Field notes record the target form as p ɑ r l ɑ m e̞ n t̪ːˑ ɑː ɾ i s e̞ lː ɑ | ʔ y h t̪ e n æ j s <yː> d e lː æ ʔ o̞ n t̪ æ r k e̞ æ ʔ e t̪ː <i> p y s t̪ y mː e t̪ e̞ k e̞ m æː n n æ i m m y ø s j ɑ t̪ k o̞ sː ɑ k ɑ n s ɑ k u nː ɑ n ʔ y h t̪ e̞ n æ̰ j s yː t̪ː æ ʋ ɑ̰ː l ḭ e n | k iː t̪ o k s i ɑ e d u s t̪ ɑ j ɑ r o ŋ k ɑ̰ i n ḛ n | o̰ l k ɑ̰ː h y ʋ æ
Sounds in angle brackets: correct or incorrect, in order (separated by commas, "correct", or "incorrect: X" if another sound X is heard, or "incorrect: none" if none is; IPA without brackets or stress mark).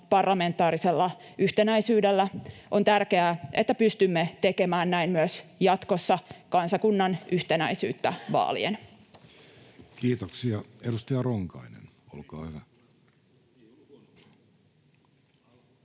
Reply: correct, incorrect: æ